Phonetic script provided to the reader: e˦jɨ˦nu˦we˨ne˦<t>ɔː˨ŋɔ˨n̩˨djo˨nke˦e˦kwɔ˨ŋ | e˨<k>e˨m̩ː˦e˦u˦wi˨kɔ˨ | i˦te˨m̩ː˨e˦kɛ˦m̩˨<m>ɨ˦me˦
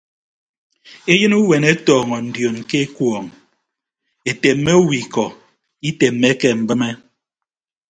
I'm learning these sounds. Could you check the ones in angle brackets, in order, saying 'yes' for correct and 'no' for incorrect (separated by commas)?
yes, no, no